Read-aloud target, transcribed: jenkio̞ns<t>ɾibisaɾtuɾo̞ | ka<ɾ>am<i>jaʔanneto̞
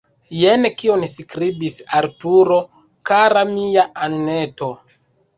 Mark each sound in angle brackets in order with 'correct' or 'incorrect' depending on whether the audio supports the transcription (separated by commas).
incorrect, correct, correct